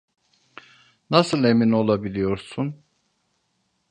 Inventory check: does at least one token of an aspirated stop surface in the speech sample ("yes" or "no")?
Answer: no